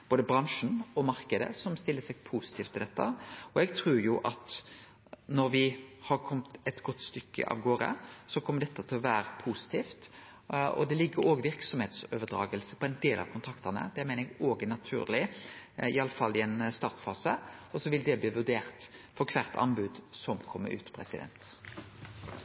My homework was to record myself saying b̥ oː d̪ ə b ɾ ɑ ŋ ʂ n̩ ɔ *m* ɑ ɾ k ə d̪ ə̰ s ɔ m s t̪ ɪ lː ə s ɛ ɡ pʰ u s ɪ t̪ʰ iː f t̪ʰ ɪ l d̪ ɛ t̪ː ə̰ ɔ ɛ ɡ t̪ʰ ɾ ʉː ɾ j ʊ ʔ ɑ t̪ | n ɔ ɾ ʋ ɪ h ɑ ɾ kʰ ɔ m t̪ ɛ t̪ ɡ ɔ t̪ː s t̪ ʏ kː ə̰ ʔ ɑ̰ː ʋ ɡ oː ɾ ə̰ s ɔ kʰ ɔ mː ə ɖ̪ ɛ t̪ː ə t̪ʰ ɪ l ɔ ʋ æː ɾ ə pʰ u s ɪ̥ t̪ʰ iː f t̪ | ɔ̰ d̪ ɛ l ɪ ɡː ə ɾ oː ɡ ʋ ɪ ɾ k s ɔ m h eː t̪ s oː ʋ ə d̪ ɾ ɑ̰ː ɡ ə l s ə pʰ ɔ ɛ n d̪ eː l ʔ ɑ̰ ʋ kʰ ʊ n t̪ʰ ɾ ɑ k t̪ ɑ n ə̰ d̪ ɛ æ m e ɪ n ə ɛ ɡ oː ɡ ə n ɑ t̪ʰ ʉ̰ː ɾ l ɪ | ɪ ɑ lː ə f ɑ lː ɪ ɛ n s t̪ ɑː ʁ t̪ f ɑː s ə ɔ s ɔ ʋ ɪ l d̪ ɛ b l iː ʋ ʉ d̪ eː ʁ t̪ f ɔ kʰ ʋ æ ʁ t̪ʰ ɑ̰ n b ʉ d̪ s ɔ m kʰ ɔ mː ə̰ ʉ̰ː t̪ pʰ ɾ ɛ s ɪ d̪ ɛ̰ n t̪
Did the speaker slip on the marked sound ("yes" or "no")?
no